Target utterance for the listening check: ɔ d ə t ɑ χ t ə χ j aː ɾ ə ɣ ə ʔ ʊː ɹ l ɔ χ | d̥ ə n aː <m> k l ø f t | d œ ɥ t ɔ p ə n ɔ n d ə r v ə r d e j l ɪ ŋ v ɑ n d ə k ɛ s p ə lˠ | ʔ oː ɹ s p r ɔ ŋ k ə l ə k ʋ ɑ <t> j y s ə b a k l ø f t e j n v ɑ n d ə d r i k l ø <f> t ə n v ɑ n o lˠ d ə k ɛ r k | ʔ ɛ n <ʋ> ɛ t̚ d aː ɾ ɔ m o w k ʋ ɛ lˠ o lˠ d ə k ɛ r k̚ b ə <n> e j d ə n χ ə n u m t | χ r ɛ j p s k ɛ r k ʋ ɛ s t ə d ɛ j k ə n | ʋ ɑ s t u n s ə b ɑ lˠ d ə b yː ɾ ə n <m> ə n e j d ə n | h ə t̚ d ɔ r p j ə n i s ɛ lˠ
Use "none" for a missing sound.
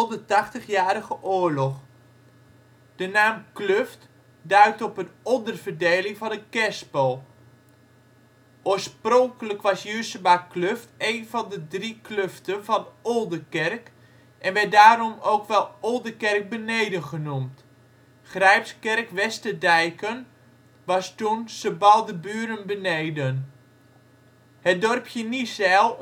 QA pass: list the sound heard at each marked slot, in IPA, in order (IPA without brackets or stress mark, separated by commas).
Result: m, s, f, ʋ, n, b